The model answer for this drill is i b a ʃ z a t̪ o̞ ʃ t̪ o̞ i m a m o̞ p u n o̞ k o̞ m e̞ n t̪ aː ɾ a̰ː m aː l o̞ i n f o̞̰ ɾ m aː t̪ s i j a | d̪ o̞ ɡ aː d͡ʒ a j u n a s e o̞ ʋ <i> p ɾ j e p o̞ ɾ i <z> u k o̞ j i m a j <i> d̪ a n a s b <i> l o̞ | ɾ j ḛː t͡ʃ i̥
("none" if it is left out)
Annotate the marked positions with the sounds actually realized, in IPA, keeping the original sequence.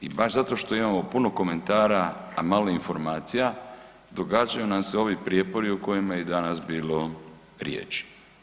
i, none, e, iː

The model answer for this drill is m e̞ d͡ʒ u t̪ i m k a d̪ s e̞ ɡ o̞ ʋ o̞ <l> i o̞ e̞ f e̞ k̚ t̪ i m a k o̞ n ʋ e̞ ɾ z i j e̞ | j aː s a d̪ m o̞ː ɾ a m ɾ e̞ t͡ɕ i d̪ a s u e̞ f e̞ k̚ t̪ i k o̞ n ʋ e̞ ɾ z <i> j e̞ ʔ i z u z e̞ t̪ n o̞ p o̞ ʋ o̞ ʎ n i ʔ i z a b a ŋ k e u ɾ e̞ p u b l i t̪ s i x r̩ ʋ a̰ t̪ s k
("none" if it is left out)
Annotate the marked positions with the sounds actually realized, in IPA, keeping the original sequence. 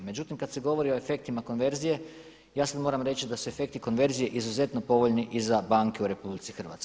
ɾ, i

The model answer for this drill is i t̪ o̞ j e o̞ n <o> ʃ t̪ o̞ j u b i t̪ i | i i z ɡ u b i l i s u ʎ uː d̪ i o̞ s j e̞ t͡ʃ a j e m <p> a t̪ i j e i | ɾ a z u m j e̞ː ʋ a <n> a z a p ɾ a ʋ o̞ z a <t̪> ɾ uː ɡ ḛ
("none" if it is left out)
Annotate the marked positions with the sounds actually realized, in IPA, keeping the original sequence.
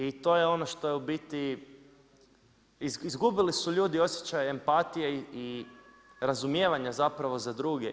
o, p, ɲ, d̪

